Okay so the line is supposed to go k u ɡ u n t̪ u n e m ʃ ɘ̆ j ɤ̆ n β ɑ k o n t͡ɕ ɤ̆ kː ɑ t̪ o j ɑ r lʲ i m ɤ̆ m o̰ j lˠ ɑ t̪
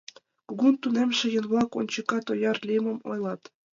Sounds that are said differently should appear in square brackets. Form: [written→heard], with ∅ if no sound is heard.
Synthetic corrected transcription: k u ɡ u n t̪ u n e m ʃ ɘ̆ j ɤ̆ n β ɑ k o n t͡ɕ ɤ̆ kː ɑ t̪ o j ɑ r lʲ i m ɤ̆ m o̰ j lˠ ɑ t̪

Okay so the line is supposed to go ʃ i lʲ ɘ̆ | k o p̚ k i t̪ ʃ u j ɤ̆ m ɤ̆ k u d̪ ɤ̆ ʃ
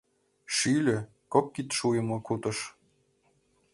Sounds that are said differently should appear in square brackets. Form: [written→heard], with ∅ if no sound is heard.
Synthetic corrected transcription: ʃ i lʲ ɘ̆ | k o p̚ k i t̪ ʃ u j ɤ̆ m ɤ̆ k u [d̪→t̪] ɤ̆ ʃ

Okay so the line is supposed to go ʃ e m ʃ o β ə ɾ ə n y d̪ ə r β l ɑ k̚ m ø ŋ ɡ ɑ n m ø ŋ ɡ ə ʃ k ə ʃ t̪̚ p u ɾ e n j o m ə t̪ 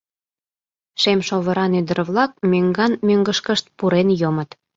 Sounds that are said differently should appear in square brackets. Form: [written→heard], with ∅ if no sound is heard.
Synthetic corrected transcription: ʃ e m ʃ o β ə ɾ [ə→ɑ] n y d̪ ə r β l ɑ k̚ m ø ŋ ɡ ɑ n m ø ŋ ɡ ə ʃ k ə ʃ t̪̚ p u ɾ e n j o m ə t̪

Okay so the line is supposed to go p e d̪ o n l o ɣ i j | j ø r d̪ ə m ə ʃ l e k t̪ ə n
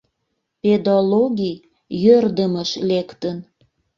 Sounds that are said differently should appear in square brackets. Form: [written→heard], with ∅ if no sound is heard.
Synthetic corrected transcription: p e d̪ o [n→∅] l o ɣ i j | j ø r d̪ ə m ə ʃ l e k t̪ ə n

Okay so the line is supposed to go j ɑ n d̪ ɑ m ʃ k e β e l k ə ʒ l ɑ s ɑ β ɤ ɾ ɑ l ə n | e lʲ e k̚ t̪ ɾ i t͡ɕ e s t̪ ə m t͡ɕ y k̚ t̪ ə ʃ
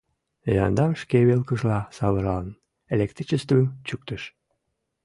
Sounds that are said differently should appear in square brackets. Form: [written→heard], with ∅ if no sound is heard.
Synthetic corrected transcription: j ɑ n d̪ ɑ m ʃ k e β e l k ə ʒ l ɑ s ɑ β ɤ ɾ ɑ l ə n | e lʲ e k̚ t̪ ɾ i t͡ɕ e s t̪ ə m t͡ɕ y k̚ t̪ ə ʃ

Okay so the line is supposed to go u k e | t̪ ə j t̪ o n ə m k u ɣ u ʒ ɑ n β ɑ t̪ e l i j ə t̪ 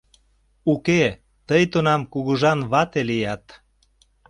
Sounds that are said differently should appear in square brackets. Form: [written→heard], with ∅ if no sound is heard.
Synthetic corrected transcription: u k e | t̪ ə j t̪ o n [ə→ɑ] m k u ɣ u ʒ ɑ n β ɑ t̪ e l i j [ə→ɑ] t̪

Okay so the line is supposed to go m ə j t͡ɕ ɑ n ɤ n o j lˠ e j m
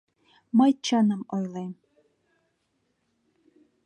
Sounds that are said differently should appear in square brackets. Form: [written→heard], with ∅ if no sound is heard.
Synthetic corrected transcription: m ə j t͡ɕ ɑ n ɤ [n→m] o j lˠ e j m

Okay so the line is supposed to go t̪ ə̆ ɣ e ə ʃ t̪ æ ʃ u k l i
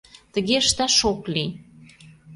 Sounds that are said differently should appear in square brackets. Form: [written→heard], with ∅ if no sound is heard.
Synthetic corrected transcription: t̪ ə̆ ɣ e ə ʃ t̪ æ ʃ [u→o] k l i

